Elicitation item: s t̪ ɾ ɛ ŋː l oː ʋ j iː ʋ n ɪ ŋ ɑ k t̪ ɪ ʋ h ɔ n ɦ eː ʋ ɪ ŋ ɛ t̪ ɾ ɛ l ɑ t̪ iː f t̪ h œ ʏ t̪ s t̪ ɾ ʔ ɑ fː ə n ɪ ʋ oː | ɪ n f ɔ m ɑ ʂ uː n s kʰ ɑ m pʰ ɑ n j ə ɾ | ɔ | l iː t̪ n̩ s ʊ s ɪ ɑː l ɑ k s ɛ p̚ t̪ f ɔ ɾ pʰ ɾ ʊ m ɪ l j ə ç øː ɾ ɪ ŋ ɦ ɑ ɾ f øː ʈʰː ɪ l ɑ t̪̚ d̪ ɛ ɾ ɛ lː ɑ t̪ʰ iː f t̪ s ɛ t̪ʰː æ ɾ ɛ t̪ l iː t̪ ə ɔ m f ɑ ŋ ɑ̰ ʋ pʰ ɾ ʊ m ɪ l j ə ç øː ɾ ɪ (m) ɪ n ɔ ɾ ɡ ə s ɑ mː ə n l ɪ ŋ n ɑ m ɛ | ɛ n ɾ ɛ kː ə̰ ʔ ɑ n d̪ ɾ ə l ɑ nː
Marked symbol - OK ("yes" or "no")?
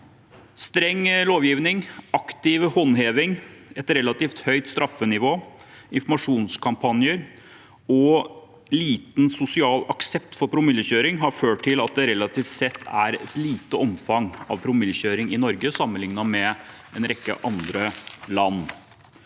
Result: no